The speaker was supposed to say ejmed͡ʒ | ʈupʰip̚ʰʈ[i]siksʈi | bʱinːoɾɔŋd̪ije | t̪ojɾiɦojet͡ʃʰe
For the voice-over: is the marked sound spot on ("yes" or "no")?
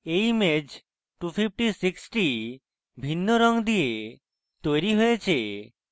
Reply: yes